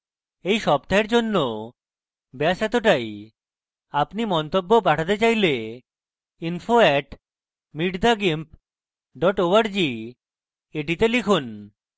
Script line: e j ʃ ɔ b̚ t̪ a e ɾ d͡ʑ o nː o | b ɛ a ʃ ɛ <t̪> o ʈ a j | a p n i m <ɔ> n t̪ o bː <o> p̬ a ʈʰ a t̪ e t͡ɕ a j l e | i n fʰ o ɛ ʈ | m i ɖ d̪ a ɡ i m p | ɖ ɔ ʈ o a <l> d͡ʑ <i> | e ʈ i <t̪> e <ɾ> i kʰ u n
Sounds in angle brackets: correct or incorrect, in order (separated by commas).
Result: correct, correct, correct, incorrect, correct, correct, incorrect